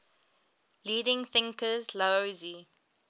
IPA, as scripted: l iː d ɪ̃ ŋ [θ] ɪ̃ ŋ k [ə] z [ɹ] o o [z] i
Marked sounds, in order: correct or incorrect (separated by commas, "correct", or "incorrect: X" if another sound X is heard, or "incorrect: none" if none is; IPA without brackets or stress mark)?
correct, correct, incorrect: l, correct